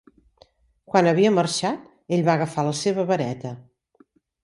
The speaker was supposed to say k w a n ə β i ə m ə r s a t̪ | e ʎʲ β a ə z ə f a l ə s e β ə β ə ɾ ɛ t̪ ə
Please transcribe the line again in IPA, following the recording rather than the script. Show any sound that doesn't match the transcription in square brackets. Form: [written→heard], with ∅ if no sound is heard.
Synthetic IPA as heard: k w a n ə β i ə m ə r [s→ʃ] a t̪ | e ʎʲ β a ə [z→ɣ] ə f a l ə s e β ə β ə ɾ ɛ t̪ ə